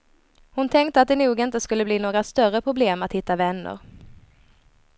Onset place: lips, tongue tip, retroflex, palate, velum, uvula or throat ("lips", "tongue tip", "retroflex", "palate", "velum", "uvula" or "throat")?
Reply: throat